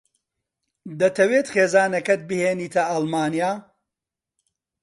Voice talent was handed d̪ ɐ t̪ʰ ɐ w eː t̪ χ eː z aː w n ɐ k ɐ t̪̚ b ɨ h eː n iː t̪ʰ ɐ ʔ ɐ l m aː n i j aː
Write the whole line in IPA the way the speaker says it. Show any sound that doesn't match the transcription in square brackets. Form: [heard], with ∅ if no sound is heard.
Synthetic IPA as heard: d̪ ɐ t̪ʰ ɐ w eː t̪ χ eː z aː [∅] n ɐ k ɐ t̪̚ b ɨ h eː n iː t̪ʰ ɐ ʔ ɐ l m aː n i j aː